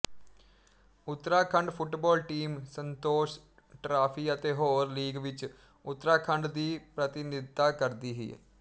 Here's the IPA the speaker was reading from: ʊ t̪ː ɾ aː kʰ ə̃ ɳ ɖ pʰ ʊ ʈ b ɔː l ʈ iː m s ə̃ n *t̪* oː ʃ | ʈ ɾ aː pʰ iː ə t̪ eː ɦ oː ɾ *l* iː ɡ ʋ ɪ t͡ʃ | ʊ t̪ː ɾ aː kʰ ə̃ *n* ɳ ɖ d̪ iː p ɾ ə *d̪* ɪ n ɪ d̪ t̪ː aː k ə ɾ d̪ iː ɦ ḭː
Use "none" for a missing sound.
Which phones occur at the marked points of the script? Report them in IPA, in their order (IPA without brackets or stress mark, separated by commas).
t̪, l, none, t̪